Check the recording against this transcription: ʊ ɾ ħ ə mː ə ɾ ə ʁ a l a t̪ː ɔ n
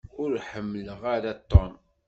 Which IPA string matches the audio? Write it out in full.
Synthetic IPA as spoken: ʊ ɾ ħ ə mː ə l ə ʁ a ɾ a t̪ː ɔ n